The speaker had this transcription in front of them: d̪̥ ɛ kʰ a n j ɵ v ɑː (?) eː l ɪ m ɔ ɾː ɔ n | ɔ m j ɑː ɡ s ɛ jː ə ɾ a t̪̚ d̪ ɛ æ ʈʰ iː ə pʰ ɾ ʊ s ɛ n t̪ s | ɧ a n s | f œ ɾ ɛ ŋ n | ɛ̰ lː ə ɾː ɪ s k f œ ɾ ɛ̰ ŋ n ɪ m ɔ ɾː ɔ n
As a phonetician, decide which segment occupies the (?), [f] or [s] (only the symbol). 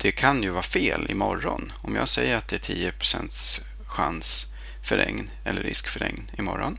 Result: f